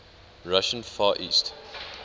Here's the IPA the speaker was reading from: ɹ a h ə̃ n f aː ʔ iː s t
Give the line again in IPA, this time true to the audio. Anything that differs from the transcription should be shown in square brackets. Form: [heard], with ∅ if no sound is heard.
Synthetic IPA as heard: ɹ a [ʃ] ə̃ n f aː ʔ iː s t